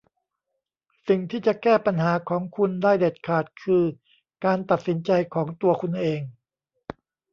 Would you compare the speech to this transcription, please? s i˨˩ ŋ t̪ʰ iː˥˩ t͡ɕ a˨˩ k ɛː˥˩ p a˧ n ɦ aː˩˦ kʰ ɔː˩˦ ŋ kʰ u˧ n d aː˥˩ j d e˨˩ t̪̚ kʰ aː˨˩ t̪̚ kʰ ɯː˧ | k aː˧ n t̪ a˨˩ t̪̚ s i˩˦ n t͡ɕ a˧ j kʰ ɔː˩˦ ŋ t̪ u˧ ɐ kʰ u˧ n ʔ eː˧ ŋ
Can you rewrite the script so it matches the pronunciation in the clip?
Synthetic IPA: s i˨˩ ŋ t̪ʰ iː˥˩ t͡ɕ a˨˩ k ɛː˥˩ p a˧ n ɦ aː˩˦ kʰ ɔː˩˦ ŋ kʰ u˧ n d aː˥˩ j d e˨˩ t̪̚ kʰ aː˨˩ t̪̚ kʰ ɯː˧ | k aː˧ n t̪ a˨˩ t̪̚ s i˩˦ n t͡ɕ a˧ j kʰ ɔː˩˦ ŋ t̪ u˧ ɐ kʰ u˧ n ʔ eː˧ ŋ